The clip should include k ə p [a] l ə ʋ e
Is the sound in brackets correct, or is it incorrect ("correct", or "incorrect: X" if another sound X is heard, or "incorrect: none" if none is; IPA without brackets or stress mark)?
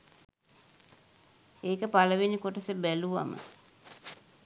correct